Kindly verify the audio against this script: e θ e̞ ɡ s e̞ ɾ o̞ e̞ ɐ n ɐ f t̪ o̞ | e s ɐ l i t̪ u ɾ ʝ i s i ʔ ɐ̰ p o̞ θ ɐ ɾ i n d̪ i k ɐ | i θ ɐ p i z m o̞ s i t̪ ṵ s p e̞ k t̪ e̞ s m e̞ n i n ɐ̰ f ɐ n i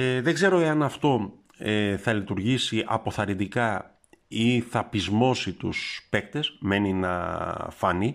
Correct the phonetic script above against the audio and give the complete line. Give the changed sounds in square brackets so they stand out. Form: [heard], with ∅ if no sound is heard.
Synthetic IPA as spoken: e [ð] e̞ ɡ [z] e̞ ɾ o̞ e̞ ɐ n ɐ f t̪ o̞ | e [θ] ɐ l i t̪ u ɾ ʝ i s i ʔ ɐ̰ p o̞ θ ɐ ɾ i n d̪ i k ɐ | i θ ɐ p i z m o̞ s i t̪ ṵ s p e̞ k t̪ e̞ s m e̞ n i n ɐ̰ f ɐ n i